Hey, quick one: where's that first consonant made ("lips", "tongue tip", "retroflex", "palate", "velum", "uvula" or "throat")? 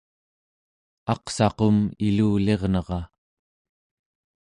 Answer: uvula